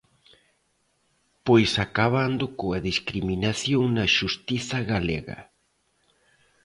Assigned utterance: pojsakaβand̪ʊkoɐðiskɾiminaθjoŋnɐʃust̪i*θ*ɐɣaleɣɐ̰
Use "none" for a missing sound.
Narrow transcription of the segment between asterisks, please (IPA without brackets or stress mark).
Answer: θ